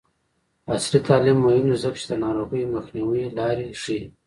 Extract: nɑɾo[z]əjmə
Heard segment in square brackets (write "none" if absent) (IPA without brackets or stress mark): ɣ